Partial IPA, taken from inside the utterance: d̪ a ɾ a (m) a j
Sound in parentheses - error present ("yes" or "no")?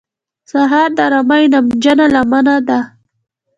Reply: no